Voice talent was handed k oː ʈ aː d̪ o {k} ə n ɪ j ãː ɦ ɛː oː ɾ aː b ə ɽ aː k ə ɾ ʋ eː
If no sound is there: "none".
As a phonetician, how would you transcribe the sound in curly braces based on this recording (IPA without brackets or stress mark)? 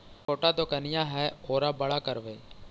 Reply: k